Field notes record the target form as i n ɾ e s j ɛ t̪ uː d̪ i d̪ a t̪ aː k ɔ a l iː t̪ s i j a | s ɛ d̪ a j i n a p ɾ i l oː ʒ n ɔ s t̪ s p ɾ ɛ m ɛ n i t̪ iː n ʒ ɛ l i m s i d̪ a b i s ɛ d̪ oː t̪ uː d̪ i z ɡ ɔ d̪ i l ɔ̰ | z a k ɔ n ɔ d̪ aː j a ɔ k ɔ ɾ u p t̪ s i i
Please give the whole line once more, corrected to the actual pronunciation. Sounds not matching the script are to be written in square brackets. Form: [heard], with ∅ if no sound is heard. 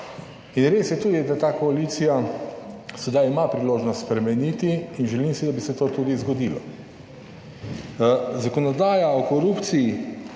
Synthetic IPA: i n ɾ e s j ɛ t̪ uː d̪ i d̪ a t̪ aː k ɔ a l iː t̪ s i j a | s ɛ d̪ a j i [m] a p ɾ i l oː ʒ n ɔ s t̪ s p ɾ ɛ m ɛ n i t̪ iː n ʒ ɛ l i m s i d̪ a b i s ɛ [t̪] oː t̪ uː d̪ i z ɡ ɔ d̪ i l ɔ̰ | z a k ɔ n ɔ d̪ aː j a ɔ k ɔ ɾ u p t̪ s i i